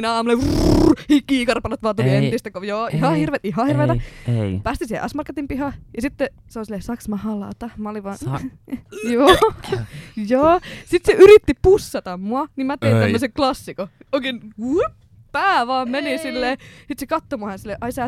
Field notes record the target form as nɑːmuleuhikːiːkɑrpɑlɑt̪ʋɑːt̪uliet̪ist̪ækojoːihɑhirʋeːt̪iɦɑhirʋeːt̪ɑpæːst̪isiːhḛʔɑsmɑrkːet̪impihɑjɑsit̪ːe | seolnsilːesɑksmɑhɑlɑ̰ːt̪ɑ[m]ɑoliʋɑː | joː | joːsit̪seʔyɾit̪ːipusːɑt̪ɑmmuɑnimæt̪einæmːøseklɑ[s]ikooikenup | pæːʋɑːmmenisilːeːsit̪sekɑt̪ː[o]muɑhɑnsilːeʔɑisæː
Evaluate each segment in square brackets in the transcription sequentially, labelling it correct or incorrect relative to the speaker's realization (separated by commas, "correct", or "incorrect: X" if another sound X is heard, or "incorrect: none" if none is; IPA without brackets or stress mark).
correct, incorrect: sː, correct